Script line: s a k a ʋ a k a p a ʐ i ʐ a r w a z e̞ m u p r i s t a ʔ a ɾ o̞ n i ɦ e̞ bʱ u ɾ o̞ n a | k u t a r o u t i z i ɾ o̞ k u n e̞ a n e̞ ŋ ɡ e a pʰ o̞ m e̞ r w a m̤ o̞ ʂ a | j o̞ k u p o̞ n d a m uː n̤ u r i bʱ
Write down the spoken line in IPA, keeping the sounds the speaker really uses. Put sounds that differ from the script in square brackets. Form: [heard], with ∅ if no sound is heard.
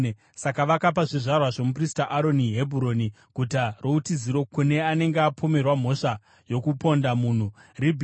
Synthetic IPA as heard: s a k a ʋ a k a p a ʐ i ʐ a r w a [ʐ] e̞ m u p r i s t a ʔ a ɾ o̞ n i ɦ e̞ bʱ u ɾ o̞ n [i] | k u t a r o u t i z i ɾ o̞ k u n e̞ a n e̞ ŋ ɡ e a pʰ o̞ m e̞ r w a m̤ o̞ ʂ a | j o̞ k u p o̞ n d a m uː n̤ u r i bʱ

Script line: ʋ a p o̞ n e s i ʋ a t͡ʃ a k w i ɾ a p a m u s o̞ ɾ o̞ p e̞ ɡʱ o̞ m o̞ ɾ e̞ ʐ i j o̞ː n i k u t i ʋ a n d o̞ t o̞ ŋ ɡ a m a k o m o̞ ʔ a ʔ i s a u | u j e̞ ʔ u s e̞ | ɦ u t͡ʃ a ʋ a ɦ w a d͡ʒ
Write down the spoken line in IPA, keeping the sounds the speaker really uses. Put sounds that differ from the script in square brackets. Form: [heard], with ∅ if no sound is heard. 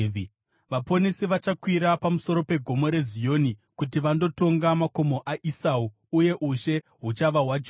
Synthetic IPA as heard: ʋ a p o̞ n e s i ʋ a t͡ʃ a k w i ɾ a p a m u s o̞ ɾ o̞ p e̞ ɡʱ o̞ m o̞ ɾ e̞ [z] i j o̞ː n i k u t i ʋ a n d o̞ t o̞ ŋ ɡ a m a k o m o̞ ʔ a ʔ i s a u | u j e̞ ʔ u [ʃ] e̞ | ɦ u t͡ʃ a ʋ a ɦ w a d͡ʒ

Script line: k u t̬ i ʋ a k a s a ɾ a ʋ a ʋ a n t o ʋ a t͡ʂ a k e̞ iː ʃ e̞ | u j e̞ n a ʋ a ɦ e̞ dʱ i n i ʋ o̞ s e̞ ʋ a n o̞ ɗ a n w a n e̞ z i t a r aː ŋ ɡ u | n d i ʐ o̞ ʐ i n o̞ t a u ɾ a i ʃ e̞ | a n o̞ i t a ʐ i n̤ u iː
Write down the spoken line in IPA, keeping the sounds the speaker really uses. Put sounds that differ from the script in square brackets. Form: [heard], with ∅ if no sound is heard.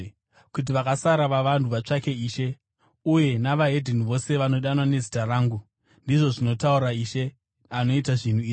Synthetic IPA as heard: k u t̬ i ʋ a k a s a ɾ a ʋ a ʋ a n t [u] ʋ a t͡ʂ a k e̞ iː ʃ e̞ | u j e̞ n a ʋ a ɦ e̞ dʱ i n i ʋ o̞ s e̞ ʋ a n o̞ ɗ a n w a n e̞ z i t a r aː ŋ ɡ u | n d i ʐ o̞ ʐ i n o̞ t a u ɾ a i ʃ e̞ | a n o̞ i t a ʐ i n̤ u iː

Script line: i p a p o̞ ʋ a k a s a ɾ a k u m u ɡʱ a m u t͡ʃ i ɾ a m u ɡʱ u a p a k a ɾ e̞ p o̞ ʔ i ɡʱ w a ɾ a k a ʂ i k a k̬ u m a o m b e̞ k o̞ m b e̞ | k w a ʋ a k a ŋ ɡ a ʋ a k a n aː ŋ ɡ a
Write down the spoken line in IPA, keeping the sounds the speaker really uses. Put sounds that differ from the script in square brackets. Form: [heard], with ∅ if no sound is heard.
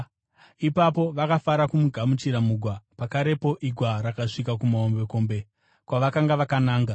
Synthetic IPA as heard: i p a p o̞ ʋ a k a [f] a ɾ a k u m u ɡʱ a m u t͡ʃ i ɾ a m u ɡʱ [w] a p a k a ɾ e̞ p o̞ ʔ i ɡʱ w a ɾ a k a ʂ i k a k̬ u m a o m b e̞ k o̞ m b e̞ | k w a ʋ a k a ŋ ɡ a ʋ a k a n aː ŋ ɡ a

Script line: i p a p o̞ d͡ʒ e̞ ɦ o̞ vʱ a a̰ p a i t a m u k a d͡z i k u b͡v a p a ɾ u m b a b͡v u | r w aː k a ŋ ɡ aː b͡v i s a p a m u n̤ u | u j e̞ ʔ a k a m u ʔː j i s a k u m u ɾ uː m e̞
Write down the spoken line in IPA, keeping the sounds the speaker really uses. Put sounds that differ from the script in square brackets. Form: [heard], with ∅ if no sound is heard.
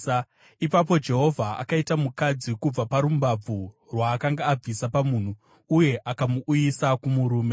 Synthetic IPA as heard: i p a p o̞ d͡ʒ e̞ ɦ o̞ vʱ a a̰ [k] a i t a m u k a d͡z i k u b͡v a p a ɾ u m b a b͡v u | r w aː k a ŋ ɡ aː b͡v i s a p a m u n̤ u | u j e̞ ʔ a k a m u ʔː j i s a k u m u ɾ uː m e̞

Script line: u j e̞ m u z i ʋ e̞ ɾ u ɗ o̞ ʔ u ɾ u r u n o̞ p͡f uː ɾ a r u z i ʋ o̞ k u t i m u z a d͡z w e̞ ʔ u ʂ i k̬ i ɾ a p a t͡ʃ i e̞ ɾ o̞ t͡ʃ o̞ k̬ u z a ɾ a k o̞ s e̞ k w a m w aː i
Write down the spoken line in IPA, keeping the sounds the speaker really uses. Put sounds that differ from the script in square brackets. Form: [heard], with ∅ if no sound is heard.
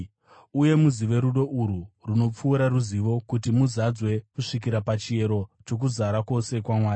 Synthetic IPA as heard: u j e̞ m u z i ʋ e̞ ɾ u ɗ o̞ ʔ u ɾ u r u n o̞ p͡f uː ɾ a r u z i ʋ o̞ k u t i m u z a d͡z w e̞ [k] u ʂ i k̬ i ɾ a p a t͡ʃ i e̞ ɾ o̞ t͡ʃ o̞ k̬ u z a ɾ a k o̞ s e̞ k w a m w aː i

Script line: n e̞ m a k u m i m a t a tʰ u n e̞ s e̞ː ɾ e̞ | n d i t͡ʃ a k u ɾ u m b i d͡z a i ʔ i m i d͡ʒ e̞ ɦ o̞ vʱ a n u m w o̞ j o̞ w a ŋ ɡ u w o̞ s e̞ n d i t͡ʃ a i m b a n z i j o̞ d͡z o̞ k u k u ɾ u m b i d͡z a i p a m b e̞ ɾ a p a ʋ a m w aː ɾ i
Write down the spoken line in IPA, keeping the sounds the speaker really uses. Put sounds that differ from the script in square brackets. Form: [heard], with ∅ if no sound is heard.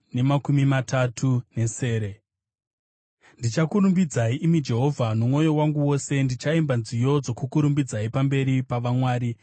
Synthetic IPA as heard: n e̞ m a k u m i m a t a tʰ u n e̞ s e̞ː ɾ e̞ | n d i t͡ʃ a k u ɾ u m b i d͡z a i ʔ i m i d͡ʒ e̞ ɦ o̞ vʱ a n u m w o̞ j o̞ w a ŋ ɡ u w o̞ s e̞ n d i t͡ʃ a i m b a n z i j o̞ d͡z o̞ k u k u ɾ u m b i d͡z a i p a m b e̞ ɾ [i] p a ʋ a m w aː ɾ i

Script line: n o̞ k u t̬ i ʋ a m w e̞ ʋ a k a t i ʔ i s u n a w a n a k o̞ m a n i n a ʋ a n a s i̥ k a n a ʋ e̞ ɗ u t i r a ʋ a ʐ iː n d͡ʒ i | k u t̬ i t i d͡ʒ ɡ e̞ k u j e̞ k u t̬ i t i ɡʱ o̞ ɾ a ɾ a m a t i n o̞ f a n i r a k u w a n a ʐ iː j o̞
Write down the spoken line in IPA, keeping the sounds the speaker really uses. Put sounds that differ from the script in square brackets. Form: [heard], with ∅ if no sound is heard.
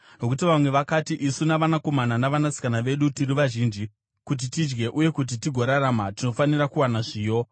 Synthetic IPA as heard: n o̞ k u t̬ i ʋ a m w e̞ ʋ a k a t i ʔ i s u n a [ʋ] a n a k o̞ m a n [a] n a ʋ a n a s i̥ k a n a ʋ e̞ ɗ u t i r [i] ʋ a [ʒ] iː n d͡ʒ i | k u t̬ i t i d͡ʒ ɡ e̞ [ʔ] u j e̞ k u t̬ i t i ɡʱ o̞ ɾ a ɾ a m a t i n o̞ f a n i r a k u w a n a ʐ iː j o̞

